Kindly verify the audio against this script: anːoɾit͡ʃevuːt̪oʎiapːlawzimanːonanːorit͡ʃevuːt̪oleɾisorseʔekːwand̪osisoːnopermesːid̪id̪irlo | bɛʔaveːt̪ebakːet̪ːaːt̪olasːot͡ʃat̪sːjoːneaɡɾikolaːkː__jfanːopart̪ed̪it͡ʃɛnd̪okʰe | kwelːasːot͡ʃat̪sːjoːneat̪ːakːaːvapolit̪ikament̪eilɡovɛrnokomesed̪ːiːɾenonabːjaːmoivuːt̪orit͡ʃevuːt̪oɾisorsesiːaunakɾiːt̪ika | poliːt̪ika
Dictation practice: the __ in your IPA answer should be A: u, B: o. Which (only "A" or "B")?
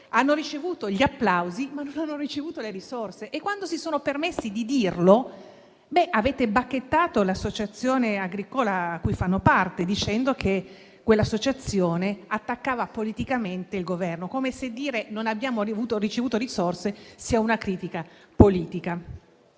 A